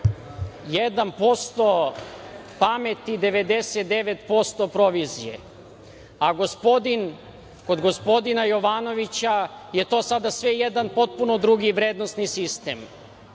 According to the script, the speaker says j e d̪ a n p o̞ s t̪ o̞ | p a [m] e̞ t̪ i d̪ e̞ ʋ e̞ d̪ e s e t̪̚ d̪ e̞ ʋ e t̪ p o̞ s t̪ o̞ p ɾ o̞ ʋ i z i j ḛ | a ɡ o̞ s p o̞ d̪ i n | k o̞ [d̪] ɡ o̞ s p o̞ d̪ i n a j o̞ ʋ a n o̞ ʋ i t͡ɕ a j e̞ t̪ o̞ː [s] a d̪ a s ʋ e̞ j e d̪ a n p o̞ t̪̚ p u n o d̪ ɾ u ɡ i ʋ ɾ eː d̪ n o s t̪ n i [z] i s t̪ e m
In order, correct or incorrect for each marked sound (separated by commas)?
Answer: correct, correct, correct, incorrect